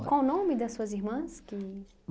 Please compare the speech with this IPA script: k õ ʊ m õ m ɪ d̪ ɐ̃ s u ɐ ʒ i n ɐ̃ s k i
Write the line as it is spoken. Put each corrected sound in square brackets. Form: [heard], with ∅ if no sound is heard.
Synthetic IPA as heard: k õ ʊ [n] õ m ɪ d̪ [ɐ] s u ɐ [z] i [m] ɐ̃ s k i